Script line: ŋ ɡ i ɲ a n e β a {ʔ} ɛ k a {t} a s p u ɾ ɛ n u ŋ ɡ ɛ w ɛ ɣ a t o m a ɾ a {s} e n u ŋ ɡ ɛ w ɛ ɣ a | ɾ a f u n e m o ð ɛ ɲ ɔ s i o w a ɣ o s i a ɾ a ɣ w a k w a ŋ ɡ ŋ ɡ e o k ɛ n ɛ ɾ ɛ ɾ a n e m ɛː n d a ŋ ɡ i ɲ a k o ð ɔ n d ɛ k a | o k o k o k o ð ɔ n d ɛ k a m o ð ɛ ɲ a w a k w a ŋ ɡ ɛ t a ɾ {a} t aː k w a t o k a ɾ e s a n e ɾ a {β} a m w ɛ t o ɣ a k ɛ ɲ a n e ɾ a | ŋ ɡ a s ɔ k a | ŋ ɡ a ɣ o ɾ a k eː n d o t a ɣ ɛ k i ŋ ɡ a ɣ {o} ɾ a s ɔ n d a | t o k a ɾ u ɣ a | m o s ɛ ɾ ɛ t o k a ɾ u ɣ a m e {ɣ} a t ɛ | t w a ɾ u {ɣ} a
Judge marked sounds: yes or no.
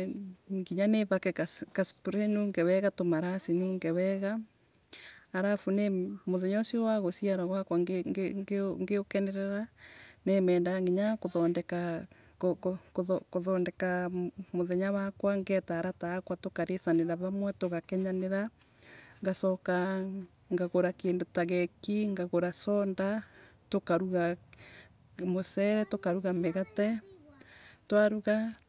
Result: no, no, yes, yes, yes, yes, yes, yes

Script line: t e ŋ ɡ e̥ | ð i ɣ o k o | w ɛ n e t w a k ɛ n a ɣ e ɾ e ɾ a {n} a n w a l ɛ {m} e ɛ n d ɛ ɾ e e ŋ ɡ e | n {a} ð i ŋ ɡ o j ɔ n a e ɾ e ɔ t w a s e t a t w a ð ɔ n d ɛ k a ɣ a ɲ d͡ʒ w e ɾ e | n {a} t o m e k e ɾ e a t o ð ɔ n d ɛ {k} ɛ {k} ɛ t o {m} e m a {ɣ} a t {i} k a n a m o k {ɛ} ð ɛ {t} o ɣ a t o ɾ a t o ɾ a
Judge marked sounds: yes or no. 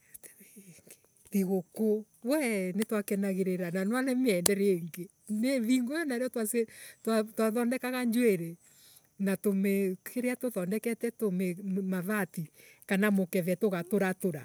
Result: yes, yes, no, yes, yes, no, yes, no, yes, yes, yes

